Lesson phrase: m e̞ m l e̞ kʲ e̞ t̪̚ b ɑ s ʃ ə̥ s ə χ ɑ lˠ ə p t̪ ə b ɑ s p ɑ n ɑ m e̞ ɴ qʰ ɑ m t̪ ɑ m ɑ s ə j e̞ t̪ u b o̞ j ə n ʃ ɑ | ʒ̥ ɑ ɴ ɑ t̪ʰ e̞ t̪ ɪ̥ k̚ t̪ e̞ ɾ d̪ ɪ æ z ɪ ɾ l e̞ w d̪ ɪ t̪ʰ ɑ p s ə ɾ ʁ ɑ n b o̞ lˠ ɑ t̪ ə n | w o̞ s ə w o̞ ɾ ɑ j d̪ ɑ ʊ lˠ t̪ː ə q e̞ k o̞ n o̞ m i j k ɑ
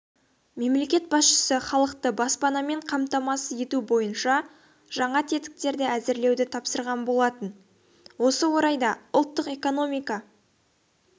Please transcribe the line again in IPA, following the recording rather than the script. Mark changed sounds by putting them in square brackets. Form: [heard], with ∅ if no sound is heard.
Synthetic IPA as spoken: m e̞ m l e̞ kʲ e̞ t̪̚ b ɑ s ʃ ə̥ s ə χ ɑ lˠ ə [q] t̪ ə b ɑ s p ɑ n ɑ m e̞ ɴ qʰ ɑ m t̪ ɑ m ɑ s ə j e̞ t̪ u b o̞ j ə n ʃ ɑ | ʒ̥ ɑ ɴ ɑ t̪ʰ e̞ t̪ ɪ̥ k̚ t̪ e̞ ɾ d̪ ɪ æ z ɪ ɾ l e̞ w d̪ ɪ t̪ʰ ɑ p s ə ɾ ʁ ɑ n b o̞ lˠ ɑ t̪ ə n | w o̞ s ə w o̞ ɾ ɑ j d̪ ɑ ʊ lˠ t̪ː ə q e̞ k o̞ n o̞ m i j k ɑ